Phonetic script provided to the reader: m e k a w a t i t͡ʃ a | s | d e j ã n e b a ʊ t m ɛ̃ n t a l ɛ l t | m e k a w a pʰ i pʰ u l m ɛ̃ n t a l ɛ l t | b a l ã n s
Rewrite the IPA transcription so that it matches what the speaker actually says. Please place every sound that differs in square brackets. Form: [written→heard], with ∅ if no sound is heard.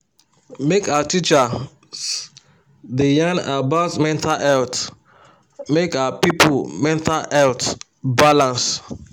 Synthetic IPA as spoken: m e k a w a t i t͡ʃ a | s | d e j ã n [e→a] b a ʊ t m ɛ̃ n t a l ɛ l t | m e k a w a [pʰ→p] i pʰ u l m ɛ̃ n t a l ɛ l t | b a l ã n s